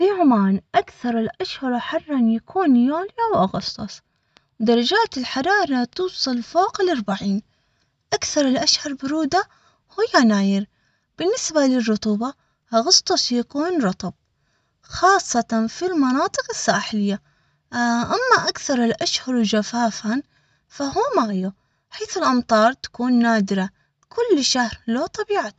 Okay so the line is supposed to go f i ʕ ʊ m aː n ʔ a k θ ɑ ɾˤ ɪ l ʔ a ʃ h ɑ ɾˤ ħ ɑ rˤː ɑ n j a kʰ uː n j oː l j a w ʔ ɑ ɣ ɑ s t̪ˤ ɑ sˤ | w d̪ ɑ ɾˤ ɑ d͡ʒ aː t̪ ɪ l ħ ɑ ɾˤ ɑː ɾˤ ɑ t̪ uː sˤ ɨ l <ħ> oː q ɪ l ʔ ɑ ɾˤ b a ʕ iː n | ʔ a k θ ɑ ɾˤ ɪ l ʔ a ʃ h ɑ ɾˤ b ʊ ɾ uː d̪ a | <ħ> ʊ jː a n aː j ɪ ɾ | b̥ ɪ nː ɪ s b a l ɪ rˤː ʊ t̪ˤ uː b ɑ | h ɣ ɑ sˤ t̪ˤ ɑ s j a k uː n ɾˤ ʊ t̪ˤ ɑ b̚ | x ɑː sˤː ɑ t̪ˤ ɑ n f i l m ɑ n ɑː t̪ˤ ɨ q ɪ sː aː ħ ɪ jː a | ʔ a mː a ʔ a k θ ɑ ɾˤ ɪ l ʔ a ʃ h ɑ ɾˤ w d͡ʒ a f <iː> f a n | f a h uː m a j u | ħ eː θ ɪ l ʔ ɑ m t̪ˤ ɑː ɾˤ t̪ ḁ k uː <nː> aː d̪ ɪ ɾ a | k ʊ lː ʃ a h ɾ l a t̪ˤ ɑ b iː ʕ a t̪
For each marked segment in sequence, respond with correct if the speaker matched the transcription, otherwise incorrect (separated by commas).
incorrect, incorrect, incorrect, correct